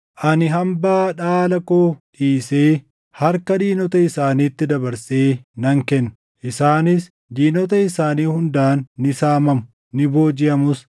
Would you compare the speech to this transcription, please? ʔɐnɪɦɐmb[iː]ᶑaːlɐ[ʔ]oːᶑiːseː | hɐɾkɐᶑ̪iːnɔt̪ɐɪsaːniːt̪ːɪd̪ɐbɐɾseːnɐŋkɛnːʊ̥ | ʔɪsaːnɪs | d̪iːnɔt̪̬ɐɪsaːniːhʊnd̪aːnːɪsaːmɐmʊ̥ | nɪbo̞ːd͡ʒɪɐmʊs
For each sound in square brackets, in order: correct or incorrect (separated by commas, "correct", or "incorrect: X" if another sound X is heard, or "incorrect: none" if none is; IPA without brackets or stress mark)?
incorrect: aː, incorrect: k